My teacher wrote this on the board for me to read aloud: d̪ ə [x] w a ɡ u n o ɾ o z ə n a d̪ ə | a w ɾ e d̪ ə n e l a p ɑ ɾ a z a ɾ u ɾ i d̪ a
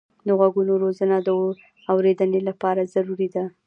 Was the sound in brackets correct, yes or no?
no